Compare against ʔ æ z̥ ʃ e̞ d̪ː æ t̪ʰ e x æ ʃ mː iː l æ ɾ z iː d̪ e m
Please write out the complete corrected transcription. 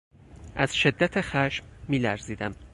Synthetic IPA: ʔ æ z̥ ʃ e̞ d̪ː æ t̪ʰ e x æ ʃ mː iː l æ ɾ z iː d̪ æ m